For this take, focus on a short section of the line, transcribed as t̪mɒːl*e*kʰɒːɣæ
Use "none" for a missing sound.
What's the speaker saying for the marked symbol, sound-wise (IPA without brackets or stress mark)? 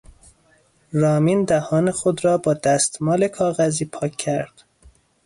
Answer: e